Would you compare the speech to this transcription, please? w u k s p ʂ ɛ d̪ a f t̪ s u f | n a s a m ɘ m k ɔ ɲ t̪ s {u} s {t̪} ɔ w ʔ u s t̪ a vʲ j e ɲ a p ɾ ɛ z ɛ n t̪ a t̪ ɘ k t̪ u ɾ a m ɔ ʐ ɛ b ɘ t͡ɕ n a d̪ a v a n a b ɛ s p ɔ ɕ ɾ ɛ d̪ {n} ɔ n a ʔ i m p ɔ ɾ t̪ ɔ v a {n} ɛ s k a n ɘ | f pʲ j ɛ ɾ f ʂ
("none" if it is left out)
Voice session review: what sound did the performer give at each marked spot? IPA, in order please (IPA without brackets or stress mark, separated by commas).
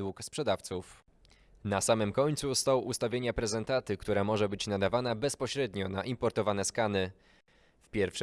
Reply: u, t̪, ɲ, n